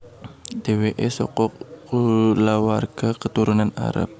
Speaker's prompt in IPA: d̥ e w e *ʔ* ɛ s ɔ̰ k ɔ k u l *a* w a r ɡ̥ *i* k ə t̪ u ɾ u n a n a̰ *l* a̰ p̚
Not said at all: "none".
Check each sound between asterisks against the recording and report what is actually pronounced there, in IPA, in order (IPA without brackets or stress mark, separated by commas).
ʔ, a, a, ɾ